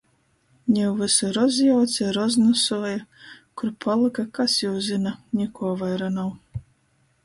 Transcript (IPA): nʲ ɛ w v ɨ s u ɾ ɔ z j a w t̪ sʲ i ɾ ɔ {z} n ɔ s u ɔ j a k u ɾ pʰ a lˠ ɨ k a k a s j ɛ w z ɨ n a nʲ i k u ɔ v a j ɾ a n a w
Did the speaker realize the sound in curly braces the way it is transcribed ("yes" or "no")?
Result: yes